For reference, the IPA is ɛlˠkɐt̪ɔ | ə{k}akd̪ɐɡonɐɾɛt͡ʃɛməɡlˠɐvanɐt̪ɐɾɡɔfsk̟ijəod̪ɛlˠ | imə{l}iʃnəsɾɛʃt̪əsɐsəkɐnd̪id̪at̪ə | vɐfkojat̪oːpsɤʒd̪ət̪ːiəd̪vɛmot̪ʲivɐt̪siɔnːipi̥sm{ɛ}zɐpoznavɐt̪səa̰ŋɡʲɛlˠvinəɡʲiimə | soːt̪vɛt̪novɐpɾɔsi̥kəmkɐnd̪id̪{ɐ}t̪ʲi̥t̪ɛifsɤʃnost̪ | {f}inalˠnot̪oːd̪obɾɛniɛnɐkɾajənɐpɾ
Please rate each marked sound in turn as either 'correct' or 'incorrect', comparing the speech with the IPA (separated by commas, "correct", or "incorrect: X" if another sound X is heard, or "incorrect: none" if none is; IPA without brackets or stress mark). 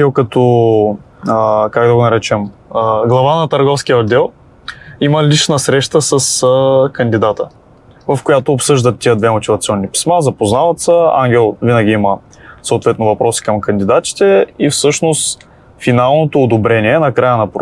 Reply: correct, correct, incorrect: a, incorrect: a, correct